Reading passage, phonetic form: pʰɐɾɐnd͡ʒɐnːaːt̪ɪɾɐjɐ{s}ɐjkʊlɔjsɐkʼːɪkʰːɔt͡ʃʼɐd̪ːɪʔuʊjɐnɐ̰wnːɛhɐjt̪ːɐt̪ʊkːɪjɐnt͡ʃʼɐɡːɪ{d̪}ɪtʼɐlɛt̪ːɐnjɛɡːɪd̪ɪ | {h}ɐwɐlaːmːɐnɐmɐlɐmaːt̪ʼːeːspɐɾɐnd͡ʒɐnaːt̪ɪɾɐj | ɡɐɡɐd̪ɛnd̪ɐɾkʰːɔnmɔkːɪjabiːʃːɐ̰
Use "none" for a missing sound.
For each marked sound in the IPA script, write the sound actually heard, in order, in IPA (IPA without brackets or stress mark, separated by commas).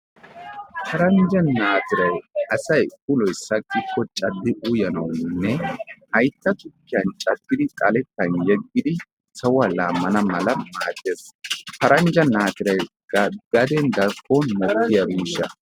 s, d̪, s